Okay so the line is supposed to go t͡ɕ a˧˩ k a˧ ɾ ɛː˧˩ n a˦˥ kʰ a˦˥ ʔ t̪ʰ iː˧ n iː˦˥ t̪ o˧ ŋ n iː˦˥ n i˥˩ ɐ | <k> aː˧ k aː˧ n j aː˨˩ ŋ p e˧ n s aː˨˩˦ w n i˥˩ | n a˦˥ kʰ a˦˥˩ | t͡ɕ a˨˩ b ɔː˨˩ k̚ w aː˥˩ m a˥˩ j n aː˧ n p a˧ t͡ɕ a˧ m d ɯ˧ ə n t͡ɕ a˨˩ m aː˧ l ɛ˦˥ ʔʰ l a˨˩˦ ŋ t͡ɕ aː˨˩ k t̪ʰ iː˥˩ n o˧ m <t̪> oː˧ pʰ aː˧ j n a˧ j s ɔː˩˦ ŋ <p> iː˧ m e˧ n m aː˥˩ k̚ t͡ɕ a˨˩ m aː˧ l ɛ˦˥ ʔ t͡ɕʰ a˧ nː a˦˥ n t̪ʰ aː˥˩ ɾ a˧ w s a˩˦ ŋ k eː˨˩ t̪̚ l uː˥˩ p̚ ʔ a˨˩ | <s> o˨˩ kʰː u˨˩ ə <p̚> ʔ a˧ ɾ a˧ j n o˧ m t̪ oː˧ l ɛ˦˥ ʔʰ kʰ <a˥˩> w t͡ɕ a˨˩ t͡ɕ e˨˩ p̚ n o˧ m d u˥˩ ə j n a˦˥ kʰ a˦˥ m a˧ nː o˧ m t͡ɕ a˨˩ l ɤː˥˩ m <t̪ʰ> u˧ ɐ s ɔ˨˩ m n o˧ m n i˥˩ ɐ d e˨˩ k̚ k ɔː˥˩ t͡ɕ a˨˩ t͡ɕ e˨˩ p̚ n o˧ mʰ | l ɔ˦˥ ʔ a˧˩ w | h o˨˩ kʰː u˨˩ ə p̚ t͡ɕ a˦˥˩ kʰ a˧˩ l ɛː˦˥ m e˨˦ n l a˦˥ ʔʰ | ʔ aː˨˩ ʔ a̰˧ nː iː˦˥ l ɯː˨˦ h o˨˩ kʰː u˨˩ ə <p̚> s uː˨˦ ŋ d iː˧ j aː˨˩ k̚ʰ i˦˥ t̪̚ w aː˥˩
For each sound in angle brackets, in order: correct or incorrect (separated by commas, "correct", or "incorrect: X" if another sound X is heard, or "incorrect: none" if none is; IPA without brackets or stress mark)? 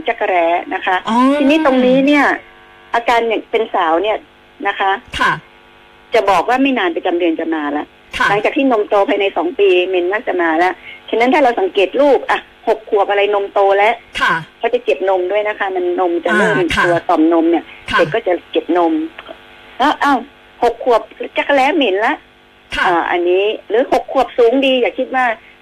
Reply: incorrect: ʔ, correct, correct, incorrect: h, correct, incorrect: a˧˥, incorrect: t̪, correct